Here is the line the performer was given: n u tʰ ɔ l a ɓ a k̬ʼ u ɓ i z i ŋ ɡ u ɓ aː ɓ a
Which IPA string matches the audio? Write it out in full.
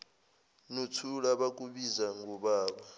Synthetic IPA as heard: n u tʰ u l a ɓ a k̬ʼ u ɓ i z a ŋ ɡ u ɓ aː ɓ a